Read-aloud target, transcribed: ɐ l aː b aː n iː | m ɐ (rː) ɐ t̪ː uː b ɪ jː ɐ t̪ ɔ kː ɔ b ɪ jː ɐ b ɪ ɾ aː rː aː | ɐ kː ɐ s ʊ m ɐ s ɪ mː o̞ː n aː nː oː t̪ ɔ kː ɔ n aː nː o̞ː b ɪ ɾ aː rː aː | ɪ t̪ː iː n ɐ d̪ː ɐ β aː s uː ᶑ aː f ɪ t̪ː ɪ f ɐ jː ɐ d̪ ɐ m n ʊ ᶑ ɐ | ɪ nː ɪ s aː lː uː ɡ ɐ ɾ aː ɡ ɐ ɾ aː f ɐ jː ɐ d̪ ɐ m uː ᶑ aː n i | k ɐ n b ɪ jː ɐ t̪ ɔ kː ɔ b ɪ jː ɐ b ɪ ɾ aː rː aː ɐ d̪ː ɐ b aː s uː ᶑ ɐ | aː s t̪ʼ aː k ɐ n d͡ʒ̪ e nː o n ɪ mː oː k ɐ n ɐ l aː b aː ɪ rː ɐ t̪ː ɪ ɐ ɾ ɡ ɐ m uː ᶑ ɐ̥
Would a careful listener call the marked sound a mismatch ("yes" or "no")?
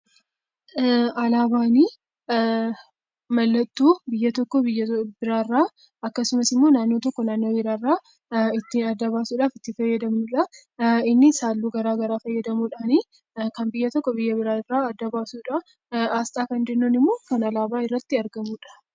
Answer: yes